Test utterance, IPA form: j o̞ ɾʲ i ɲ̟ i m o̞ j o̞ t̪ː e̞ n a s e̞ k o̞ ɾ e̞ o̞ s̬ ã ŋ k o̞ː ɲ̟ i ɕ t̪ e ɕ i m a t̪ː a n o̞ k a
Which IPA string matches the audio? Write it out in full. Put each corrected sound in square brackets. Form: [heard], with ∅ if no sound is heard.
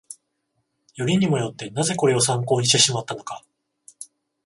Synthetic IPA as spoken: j o̞ ɾʲ i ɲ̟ i m o̞ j o̞ t̪ː e̞ n a [z] e̞ k o̞ ɾ e̞ o̞ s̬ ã ŋ k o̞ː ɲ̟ i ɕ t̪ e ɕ i m a t̪ː a n o̞ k a